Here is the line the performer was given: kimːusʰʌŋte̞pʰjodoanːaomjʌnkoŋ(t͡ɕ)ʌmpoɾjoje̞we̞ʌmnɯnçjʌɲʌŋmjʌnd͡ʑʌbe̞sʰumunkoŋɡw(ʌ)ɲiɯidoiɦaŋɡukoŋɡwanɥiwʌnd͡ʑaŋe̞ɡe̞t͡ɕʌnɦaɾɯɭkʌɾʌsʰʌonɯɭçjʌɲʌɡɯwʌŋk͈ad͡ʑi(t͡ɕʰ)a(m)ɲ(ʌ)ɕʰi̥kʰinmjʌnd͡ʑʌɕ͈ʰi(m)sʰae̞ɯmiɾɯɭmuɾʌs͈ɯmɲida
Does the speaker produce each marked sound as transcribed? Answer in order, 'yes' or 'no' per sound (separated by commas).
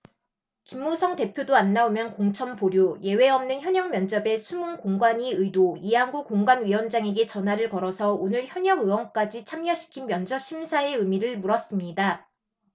no, no, yes, yes, yes, yes